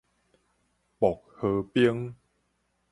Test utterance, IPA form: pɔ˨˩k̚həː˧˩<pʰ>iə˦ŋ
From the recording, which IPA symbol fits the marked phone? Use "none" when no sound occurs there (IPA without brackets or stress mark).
p